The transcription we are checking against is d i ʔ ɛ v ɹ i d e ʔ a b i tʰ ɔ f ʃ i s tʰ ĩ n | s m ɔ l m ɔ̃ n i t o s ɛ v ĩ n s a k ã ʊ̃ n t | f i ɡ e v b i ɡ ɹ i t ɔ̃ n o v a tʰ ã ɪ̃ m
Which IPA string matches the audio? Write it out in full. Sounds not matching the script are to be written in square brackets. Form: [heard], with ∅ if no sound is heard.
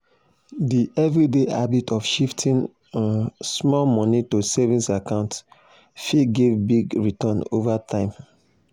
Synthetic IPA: d i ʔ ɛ v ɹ i d e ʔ a b i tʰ ɔ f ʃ i [f] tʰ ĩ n | s m ɔ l m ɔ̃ n i t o s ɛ v ĩ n s a k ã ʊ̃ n t | f i ɡ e v b i ɡ ɹ i t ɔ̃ n o v a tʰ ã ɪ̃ m